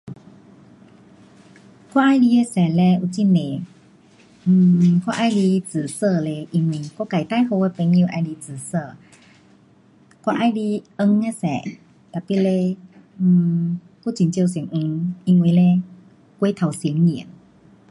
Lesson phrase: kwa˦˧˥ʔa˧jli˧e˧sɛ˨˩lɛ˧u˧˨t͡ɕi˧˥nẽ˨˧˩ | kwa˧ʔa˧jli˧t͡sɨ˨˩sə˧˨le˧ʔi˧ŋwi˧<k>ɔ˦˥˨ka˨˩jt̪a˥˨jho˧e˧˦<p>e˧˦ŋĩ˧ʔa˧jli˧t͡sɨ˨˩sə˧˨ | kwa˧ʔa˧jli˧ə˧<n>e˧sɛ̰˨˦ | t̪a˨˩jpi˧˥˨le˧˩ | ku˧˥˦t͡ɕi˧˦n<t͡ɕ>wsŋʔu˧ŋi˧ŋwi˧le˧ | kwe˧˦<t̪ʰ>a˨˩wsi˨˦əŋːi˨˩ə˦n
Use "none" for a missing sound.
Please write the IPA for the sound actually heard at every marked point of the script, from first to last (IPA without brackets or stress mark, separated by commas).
k, p, ŋ, t͡ɕ, t̪ʰ